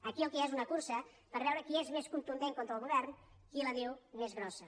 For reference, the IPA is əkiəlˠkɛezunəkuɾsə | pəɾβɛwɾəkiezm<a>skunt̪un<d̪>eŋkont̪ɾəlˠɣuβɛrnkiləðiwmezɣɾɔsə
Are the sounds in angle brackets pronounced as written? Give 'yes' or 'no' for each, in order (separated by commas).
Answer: no, yes